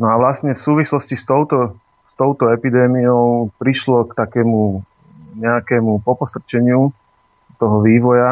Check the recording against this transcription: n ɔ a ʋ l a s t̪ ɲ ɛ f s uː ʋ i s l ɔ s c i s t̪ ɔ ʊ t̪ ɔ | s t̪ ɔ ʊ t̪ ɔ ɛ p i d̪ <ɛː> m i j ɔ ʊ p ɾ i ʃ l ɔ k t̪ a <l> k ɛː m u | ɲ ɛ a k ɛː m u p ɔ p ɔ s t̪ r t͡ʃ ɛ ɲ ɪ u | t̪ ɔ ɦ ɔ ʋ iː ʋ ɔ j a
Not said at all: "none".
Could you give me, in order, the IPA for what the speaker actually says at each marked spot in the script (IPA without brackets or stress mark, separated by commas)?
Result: ɛː, none